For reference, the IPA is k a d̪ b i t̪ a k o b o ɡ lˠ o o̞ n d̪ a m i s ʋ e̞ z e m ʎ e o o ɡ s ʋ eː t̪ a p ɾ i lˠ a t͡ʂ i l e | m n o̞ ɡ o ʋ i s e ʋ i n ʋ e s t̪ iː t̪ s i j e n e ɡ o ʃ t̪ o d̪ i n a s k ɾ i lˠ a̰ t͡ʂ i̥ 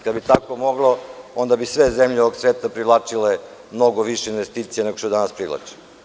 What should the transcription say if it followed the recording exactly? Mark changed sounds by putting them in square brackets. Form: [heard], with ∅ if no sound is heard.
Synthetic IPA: k a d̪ b i t̪ a k o [m] o ɡ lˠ o o̞ n d̪ a [b] i s ʋ e̞ z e m ʎ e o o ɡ s ʋ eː t̪ a p ɾ i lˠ a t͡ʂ i l e | m n o̞ ɡ o ʋ i [ʃ] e [∅] i n ʋ e s t̪ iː t̪ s i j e n e ɡ o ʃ t̪ o d̪ [a] n a s [p] ɾ i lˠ a̰ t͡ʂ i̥